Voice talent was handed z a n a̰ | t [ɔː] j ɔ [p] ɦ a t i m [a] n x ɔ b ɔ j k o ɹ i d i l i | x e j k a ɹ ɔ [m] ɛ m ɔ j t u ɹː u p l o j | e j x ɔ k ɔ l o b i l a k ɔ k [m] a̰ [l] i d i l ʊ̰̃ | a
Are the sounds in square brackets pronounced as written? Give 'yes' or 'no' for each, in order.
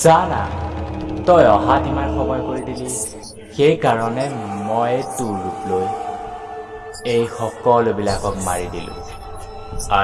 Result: no, no, yes, no, yes, no

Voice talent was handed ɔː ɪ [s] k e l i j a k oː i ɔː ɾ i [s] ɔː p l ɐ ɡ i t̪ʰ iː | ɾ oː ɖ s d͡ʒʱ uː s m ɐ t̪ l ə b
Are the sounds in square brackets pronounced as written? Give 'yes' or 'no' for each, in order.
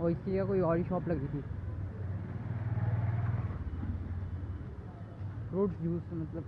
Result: yes, no

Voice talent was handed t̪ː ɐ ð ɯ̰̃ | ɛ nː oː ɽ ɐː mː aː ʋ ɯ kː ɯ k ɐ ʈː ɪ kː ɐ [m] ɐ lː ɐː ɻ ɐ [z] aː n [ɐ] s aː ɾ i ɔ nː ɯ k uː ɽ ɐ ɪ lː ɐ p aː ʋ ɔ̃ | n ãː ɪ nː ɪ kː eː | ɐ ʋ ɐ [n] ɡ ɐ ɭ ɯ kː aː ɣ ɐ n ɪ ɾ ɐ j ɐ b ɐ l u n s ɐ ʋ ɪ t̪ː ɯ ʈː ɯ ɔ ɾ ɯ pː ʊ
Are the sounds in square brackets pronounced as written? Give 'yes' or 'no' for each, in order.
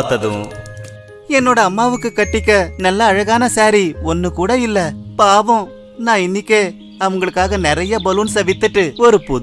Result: no, no, yes, no

